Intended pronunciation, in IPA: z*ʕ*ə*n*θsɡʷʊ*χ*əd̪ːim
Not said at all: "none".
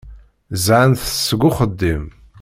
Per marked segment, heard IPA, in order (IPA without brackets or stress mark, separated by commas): ʕ, n, χ